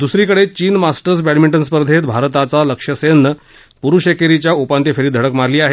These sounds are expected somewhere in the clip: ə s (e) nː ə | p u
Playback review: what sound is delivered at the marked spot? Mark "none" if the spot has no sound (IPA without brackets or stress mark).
e